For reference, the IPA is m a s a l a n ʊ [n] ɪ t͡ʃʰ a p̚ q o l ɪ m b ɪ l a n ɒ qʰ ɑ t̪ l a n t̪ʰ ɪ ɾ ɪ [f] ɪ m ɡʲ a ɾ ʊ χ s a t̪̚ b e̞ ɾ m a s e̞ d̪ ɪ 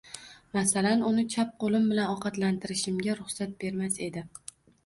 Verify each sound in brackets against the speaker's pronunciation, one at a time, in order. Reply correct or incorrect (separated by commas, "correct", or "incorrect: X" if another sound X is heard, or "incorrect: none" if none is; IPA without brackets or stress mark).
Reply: correct, incorrect: ʃ